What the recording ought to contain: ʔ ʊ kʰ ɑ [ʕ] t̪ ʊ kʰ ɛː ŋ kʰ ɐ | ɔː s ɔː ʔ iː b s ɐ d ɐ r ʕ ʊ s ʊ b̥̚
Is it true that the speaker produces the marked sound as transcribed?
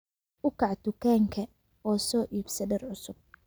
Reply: yes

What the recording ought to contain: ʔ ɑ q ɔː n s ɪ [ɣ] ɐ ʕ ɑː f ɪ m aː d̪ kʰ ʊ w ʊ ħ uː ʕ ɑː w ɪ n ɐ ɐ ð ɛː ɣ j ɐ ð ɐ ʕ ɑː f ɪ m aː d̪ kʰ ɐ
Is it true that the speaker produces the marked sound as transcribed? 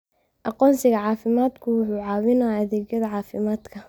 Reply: yes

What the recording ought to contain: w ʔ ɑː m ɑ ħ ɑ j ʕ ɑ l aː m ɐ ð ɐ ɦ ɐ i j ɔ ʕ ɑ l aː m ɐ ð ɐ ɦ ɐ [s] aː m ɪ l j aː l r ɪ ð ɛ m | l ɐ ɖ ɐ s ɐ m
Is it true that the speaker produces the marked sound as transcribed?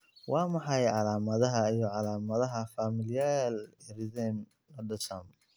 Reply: no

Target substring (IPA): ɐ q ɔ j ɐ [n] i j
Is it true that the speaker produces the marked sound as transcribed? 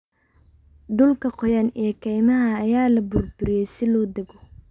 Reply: yes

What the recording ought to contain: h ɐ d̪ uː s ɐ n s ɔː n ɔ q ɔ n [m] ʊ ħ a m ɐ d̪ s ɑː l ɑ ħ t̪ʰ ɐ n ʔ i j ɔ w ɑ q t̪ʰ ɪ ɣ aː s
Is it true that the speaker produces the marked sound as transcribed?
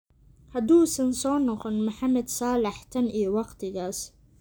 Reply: yes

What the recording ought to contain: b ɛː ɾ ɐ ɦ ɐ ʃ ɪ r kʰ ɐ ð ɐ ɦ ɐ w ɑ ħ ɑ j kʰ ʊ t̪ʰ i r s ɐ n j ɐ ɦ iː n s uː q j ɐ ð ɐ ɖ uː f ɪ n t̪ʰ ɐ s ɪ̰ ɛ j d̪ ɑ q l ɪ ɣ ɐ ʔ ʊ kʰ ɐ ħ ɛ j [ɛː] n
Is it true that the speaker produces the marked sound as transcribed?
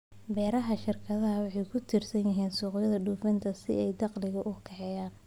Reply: no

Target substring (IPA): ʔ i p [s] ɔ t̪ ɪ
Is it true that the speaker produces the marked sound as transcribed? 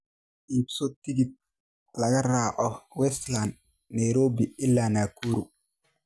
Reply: yes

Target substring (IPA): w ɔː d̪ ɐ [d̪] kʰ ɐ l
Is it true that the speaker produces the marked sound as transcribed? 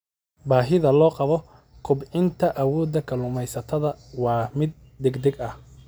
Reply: no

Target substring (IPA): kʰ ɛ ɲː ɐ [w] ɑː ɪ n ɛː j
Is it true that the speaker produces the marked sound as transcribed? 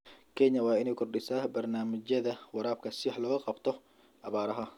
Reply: yes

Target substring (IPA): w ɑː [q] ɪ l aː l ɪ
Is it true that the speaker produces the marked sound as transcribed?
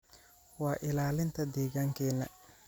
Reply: no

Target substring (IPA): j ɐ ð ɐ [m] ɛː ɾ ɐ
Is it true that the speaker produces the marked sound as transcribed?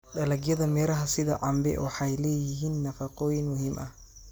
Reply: yes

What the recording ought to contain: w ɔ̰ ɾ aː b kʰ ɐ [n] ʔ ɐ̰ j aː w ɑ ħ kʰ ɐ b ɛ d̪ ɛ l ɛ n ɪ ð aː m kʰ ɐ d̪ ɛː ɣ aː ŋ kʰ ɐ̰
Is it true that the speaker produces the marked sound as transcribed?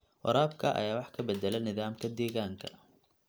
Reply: no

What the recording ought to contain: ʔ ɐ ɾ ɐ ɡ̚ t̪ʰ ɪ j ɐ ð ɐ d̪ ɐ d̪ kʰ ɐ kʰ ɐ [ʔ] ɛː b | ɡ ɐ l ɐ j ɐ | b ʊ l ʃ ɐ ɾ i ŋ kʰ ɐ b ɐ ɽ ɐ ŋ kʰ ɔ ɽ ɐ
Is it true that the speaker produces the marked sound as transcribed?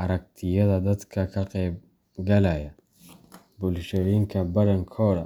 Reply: no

